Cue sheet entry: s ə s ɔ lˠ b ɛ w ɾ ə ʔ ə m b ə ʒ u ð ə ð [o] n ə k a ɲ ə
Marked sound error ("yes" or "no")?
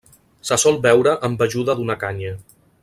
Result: yes